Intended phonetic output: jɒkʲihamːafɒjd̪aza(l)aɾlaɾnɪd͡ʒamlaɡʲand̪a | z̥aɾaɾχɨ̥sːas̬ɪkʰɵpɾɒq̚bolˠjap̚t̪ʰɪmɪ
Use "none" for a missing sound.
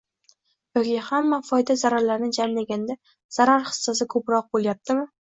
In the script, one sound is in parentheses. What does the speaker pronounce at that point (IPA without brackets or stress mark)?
ɾ